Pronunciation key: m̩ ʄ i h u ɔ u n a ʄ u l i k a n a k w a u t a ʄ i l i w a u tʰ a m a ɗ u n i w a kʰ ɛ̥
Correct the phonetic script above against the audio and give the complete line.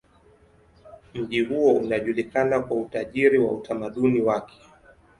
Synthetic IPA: m̩ ʄ i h u ɔ u n a ʄ u l i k a n a k w a u t a ʄ i ɾ i w a u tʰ a m a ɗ u n i w a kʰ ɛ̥